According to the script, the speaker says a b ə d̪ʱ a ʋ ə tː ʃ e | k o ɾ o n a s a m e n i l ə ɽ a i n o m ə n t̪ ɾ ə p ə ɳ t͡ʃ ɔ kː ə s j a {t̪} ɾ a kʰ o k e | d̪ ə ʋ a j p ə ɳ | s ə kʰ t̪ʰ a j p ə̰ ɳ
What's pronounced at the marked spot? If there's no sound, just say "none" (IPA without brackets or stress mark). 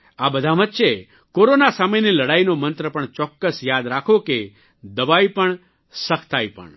d̪